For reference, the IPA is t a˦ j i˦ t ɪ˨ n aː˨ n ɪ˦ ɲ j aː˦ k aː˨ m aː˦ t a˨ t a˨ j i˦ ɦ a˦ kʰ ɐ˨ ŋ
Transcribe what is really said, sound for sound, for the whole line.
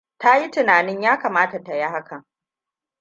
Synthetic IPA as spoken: t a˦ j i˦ t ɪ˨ n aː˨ n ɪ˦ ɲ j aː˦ k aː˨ m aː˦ t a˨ t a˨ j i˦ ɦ a˦ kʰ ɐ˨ ŋ